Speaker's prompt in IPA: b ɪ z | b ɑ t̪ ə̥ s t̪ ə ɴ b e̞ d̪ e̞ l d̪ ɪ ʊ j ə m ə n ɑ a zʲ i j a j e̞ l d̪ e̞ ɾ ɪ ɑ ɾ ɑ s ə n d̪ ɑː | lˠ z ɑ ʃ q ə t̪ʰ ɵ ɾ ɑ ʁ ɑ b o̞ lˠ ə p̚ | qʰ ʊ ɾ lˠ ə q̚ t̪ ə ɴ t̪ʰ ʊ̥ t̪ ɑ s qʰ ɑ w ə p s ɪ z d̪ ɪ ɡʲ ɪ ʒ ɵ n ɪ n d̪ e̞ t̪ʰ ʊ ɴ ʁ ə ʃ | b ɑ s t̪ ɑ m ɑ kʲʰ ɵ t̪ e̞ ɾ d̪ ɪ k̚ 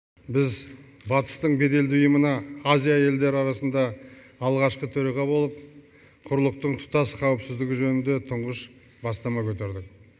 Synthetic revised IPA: b ɪ z | b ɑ t̪ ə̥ s t̪ ə ɴ b e̞ d̪ e̞ l d̪ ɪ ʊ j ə m ə n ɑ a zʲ i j a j e̞ l d̪ e̞ ɾ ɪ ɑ ɾ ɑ s ə n d̪ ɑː | lˠ ʁ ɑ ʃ q ə t̪ʰ ɵ ɾ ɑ ʁ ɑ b o̞ lˠ ə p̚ | qʰ ʊ ɾ lˠ ə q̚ t̪ ə ɴ t̪ʰ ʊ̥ t̪ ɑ s qʰ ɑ w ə p s ɪ z d̪ ɪ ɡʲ ɪ ʒ ɵ n ɪ n d̪ e̞ t̪ʰ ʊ ɴ ʁ ə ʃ | b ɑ s t̪ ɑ m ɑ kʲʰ ɵ t̪ e̞ ɾ d̪ ɪ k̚